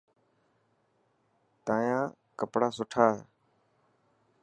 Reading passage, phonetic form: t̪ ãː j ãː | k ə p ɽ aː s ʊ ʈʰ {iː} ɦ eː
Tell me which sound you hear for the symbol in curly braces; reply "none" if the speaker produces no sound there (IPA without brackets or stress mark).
aː